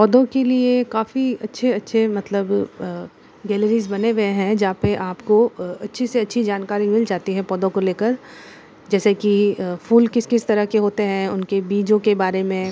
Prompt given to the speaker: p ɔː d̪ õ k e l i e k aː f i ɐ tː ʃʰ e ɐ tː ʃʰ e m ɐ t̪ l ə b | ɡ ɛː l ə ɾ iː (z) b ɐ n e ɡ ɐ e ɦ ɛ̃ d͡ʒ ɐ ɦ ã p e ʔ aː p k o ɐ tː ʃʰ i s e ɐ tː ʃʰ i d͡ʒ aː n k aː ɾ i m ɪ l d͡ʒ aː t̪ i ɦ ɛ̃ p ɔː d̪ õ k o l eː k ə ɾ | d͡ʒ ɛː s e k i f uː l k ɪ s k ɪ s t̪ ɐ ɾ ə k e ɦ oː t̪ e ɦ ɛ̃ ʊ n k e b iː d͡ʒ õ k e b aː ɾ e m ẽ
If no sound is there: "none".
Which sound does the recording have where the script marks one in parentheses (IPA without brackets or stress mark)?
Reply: z